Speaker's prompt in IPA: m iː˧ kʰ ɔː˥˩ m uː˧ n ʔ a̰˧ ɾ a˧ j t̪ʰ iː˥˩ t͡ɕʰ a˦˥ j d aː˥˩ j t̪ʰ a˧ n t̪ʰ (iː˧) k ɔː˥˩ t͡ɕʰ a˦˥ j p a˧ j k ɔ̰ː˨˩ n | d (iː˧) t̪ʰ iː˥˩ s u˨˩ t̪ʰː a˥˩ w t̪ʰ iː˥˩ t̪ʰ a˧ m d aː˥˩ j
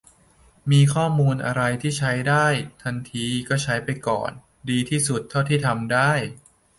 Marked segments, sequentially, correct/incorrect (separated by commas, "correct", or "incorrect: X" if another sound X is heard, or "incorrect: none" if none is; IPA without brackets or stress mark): correct, correct